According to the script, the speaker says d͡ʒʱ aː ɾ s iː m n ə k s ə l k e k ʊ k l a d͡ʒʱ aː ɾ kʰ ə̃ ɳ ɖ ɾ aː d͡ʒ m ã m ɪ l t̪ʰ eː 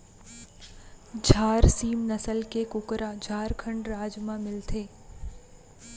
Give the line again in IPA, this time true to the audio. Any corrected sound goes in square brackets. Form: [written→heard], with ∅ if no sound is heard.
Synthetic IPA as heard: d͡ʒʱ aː ɾ s iː m n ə [k→∅] s ə l k e k ʊ k [l→ɾ] a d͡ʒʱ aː ɾ kʰ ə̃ ɳ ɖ ɾ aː d͡ʒ m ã m ɪ l t̪ʰ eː

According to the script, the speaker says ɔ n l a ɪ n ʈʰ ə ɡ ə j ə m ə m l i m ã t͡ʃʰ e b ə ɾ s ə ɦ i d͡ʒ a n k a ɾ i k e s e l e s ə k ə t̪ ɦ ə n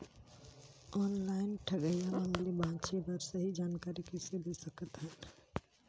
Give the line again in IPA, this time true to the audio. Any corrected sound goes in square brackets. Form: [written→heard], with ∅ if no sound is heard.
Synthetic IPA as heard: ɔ n l a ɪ n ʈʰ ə ɡ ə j [ə→a] m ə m l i [m→b] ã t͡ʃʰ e b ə ɾ s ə ɦ i d͡ʒ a n k a ɾ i k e s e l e s ə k ə t̪ ɦ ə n

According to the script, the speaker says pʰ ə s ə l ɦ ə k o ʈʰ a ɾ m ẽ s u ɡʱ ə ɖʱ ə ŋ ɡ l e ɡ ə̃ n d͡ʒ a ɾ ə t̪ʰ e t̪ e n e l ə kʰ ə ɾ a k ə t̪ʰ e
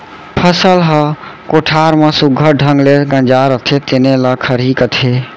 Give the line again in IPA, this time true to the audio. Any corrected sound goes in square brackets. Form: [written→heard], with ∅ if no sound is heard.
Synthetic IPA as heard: pʰ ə s ə l ɦ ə k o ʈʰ a ɾ m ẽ s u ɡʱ ə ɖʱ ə ŋ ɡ l e ɡ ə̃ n d͡ʒ a ɾ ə t̪ʰ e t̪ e n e l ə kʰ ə ɾ [a→i] k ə t̪ʰ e

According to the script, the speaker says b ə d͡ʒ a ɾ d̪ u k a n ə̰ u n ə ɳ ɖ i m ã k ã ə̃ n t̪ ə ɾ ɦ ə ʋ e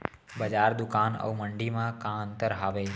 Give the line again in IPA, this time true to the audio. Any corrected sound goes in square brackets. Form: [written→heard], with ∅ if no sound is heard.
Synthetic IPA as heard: b ə d͡ʒ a ɾ d̪ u k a n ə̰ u [n→m] ə ɳ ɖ i m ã k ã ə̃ n t̪ ə ɾ ɦ [ə→a] ʋ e

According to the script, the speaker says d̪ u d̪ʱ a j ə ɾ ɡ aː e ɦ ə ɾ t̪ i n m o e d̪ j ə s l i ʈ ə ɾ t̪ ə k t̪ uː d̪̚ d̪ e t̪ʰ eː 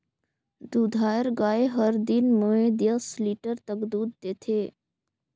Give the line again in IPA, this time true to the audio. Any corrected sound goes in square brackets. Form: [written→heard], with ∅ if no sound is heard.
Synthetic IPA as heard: d̪ u d̪ʱ a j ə ɾ ɡ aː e ɦ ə ɾ [t̪→d̪] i n m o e d̪ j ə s l i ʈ ə ɾ t̪ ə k [t̪→d̪] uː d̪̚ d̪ e t̪ʰ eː

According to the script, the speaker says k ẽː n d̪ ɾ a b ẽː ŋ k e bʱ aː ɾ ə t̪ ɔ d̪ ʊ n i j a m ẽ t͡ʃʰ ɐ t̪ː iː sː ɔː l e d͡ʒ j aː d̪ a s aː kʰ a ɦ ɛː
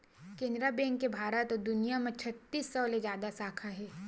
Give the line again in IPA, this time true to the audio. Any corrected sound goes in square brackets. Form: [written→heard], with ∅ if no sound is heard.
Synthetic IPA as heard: k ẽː n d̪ ɾ a b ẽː ŋ k e bʱ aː ɾ ə t̪ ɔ d̪ ʊ n i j a m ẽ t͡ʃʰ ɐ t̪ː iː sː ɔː l e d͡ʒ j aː d̪ a s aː kʰ a ɦ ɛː

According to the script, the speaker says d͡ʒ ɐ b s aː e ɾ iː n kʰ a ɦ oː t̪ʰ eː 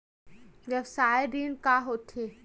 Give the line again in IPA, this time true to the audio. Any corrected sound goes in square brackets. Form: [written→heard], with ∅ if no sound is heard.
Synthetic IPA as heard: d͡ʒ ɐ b s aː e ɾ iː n [kʰ→k] a ɦ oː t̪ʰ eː

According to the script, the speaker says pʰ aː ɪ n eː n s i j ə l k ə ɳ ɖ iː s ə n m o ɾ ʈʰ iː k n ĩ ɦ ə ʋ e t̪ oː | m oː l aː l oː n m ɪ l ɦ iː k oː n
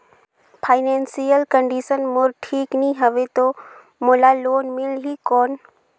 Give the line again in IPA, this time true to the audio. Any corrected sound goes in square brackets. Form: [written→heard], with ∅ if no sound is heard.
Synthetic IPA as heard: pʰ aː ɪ n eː n s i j ə l k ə ɳ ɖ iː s ə n m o ɾ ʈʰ iː k n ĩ ɦ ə ʋ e t̪ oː | m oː l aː l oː n m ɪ l ɦ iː k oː n

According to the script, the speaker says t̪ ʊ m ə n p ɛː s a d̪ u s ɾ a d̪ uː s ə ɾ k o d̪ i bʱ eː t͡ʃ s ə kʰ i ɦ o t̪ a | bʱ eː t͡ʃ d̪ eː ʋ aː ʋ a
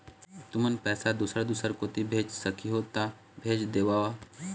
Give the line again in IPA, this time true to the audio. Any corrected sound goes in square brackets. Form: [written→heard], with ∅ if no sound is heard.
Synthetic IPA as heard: t̪ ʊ m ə n p ɛː s a d̪ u s ɾ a d̪ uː s ə ɾ k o [d̪→t̪] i bʱ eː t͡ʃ s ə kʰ i ɦ o t̪ a | bʱ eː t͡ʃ d̪ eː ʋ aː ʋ a

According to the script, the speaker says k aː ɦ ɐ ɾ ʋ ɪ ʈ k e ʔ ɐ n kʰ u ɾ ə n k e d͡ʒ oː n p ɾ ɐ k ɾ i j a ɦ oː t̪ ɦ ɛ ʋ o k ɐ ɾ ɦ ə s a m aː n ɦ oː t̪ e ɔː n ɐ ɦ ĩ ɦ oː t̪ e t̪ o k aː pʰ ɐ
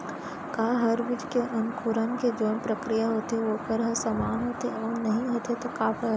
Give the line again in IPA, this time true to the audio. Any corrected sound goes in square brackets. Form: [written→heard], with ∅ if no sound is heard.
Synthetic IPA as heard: k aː ɦ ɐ ɾ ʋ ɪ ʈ k e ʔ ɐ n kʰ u ɾ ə n k e d͡ʒ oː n p ɾ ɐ k ɾ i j a ɦ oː t̪ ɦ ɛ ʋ o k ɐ ɾ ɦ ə s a m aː n ɦ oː t̪ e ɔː n ɐ ɦ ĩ ɦ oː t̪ e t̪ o k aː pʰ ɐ

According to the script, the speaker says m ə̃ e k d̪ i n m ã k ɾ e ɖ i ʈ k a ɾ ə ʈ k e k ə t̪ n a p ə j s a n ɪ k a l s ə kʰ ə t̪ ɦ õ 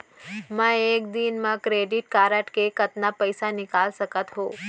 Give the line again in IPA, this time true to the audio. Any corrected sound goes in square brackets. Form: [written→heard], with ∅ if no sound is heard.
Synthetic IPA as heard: m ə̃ e k d̪ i n m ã k ɾ e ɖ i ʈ k a ɾ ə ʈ k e k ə t̪ n a p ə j s a n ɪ k a l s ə [kʰ→k] ə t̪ ɦ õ

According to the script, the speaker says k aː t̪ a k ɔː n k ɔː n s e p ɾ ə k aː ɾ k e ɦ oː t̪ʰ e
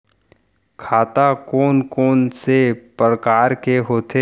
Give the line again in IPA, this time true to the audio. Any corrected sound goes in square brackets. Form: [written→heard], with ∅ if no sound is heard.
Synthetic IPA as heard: [k→kʰ] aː t̪ a k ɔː n k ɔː n s e p ɾ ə k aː ɾ k e ɦ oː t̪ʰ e

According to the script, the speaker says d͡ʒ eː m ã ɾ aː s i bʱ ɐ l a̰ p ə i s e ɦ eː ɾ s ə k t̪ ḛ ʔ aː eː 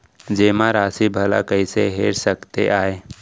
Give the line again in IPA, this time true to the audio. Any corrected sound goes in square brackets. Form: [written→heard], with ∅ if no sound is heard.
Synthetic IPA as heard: d͡ʒ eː m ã ɾ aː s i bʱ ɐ l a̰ [p→k] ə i s e ɦ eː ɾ s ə k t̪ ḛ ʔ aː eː

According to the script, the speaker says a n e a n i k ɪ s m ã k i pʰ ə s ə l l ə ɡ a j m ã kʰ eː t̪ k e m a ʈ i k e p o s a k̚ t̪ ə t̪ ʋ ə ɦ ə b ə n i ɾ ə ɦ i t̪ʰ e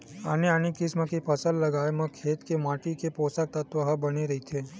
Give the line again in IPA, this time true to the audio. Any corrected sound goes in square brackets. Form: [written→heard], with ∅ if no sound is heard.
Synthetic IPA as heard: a n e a n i k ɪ s m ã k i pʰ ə s ə l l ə ɡ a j m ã kʰ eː t̪ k e m a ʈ i k e p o s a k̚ t̪ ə t̪ ʋ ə ɦ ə b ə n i ɾ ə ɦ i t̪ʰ e

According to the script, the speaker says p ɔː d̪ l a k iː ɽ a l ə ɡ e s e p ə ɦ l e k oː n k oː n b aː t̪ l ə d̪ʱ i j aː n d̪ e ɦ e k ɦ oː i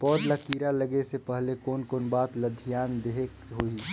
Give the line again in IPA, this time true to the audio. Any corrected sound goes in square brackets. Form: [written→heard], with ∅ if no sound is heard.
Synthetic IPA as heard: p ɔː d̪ l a k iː [ɽ→ɾ] a l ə ɡ e s e p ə ɦ l e k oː n k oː n b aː t̪ l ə d̪ʱ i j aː n d̪ e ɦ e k ɦ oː i

